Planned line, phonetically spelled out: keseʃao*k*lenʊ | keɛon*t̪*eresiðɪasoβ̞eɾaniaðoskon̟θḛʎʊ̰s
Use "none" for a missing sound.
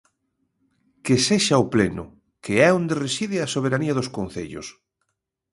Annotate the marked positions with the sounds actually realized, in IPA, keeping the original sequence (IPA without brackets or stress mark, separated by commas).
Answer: p, d̪